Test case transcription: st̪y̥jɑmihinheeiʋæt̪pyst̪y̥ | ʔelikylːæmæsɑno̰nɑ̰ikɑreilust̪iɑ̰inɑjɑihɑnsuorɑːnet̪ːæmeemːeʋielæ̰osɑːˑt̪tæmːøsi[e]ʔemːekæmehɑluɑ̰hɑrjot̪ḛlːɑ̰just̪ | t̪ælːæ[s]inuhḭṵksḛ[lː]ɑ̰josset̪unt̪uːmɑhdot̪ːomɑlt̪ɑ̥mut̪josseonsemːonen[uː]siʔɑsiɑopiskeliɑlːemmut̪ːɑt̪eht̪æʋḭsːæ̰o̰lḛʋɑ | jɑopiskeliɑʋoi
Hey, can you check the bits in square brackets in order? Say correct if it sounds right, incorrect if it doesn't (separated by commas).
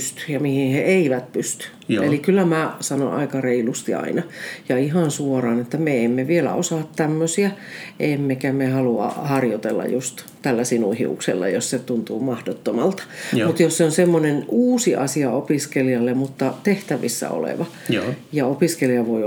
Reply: incorrect, correct, correct, correct